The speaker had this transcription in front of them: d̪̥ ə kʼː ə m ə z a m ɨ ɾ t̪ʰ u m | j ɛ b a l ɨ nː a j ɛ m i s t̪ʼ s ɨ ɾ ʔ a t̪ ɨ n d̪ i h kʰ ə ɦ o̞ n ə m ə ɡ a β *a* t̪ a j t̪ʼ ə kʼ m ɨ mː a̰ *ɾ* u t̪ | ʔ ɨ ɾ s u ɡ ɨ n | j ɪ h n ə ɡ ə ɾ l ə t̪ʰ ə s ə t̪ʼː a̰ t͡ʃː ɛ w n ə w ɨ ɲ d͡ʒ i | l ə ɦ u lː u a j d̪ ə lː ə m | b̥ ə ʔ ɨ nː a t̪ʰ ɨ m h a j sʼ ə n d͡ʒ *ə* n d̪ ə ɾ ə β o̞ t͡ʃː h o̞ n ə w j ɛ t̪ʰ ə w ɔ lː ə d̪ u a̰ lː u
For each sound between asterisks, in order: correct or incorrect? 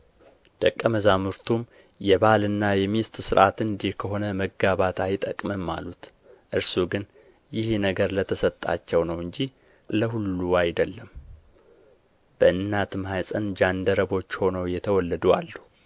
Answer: correct, incorrect: l, incorrect: a

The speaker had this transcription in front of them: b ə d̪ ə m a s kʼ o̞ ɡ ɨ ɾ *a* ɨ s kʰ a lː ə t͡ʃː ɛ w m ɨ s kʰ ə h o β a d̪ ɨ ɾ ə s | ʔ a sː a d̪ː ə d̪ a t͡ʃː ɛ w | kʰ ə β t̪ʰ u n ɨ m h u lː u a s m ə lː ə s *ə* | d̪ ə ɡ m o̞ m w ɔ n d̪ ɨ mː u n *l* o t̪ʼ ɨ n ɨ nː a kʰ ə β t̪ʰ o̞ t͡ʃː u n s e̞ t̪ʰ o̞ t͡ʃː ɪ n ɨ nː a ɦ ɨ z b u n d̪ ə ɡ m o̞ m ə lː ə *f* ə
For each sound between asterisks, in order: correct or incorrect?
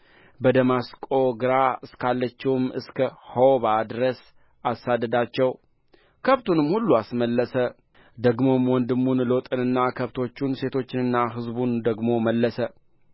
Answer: correct, correct, correct, incorrect: s

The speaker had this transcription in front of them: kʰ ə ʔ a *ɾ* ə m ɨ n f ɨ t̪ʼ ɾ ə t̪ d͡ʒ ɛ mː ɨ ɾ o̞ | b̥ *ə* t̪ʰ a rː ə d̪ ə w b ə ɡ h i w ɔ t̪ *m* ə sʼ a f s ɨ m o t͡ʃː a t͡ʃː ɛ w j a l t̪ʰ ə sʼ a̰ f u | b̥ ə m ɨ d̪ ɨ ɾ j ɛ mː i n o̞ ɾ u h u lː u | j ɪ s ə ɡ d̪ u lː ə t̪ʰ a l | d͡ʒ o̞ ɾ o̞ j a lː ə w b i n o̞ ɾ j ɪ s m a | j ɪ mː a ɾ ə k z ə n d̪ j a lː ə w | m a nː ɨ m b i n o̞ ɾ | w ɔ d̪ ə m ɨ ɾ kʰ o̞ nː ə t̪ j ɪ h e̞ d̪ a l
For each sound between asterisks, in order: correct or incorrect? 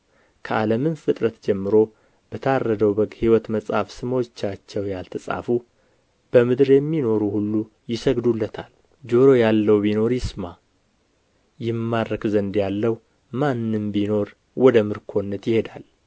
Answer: incorrect: l, correct, correct

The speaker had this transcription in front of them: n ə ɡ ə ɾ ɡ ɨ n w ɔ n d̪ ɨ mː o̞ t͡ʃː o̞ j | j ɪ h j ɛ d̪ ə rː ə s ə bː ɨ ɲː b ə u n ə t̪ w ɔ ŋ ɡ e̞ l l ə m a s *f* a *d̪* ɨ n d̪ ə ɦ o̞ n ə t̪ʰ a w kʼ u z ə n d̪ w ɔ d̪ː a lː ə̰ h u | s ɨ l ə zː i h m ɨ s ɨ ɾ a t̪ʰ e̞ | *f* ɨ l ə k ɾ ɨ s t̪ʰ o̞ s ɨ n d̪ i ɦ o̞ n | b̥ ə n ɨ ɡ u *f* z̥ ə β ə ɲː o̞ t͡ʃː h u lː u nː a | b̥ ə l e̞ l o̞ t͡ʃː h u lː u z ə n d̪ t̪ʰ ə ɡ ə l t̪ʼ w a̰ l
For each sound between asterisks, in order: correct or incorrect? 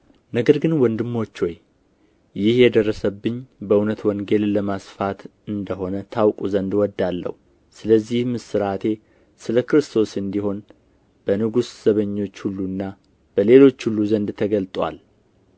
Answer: correct, incorrect: t̪, incorrect: s, incorrect: s

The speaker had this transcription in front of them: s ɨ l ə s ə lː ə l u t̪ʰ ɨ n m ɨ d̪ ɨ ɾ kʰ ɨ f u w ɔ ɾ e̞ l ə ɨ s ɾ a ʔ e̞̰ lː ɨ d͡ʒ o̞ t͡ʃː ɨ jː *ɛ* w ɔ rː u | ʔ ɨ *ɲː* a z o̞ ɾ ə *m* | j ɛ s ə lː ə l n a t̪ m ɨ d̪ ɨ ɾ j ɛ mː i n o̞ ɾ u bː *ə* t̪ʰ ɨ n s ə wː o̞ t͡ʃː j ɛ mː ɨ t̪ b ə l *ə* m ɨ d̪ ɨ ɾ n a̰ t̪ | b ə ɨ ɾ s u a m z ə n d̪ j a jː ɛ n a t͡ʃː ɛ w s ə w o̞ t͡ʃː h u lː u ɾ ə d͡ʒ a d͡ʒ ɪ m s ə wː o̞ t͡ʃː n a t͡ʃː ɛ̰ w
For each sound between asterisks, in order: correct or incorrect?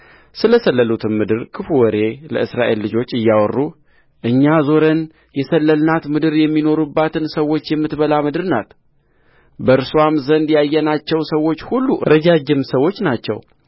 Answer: incorrect: a, correct, incorrect: n, incorrect: a, incorrect: a

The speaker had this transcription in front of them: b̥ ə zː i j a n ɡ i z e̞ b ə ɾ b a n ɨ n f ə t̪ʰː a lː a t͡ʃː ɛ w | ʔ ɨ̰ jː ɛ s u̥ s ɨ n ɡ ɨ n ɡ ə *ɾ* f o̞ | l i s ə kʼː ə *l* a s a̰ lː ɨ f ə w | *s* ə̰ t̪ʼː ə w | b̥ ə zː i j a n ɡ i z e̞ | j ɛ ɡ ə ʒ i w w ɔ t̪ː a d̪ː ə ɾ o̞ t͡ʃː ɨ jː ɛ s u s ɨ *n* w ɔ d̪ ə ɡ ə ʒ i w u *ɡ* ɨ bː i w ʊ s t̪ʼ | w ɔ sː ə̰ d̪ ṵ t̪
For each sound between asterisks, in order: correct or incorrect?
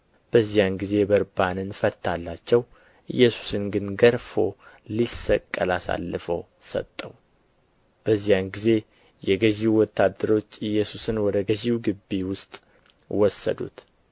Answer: correct, correct, correct, correct, correct

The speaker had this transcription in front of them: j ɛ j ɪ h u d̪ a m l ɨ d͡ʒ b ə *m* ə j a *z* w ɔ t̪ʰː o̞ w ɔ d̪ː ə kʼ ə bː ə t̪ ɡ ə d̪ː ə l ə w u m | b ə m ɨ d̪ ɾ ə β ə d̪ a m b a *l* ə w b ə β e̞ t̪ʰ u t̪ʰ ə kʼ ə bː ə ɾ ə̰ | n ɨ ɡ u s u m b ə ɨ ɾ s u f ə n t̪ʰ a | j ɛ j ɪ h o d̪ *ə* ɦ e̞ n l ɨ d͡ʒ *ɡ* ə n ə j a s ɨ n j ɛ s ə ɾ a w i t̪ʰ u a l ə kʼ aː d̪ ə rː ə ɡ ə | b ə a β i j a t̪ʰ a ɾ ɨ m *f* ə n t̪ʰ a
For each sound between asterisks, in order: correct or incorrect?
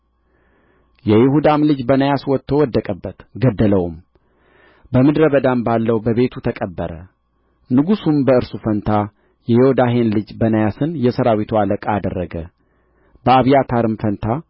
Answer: incorrect: n, incorrect: s, incorrect: lː, incorrect: a, incorrect: b, correct

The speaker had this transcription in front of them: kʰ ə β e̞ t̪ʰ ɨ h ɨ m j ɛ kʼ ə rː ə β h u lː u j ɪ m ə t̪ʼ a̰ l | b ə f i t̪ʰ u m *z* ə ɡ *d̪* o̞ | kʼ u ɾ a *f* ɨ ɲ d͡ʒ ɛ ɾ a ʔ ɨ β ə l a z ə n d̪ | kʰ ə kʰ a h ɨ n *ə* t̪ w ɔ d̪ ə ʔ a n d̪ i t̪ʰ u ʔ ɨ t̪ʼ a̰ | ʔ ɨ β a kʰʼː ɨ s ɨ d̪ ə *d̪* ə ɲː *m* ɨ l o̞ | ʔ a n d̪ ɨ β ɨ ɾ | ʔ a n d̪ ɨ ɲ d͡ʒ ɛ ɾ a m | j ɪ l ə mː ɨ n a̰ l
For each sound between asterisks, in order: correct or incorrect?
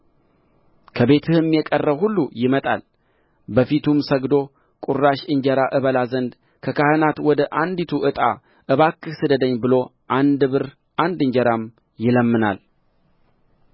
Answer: incorrect: s, correct, incorrect: ʃ, incorrect: a, correct, incorrect: b

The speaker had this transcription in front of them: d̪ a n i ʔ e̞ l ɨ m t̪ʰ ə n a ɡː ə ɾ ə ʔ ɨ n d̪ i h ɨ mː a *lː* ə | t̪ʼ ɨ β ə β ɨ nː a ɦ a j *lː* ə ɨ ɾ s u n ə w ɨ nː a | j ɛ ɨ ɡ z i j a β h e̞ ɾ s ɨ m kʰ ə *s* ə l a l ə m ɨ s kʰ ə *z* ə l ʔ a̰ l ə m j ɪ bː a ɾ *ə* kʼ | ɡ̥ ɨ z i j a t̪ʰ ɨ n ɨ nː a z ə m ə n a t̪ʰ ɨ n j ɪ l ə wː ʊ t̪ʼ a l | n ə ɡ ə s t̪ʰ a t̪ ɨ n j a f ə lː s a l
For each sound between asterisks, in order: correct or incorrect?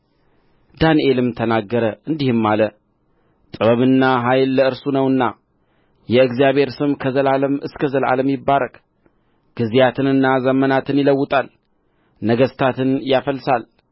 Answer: incorrect: l, correct, incorrect: z, correct, correct

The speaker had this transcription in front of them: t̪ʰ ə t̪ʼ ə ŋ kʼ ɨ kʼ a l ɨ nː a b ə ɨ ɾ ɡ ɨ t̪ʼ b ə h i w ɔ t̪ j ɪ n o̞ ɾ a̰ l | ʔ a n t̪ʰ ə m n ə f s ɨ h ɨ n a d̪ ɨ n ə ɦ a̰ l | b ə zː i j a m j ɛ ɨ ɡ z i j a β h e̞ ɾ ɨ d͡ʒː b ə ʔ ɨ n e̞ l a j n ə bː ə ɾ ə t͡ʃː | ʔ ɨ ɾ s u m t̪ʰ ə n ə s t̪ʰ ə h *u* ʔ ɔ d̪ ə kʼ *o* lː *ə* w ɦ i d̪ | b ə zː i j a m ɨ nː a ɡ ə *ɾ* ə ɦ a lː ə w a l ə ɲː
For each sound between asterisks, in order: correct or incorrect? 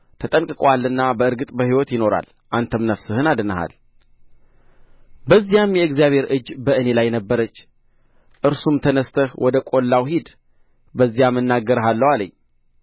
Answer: incorrect: w, correct, incorrect: a, correct

